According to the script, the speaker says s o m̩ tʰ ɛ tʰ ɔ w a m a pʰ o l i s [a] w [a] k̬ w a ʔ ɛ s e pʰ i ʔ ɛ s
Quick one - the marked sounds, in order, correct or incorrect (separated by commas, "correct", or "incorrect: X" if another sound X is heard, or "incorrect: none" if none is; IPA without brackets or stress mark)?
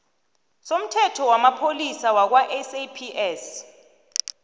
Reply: correct, correct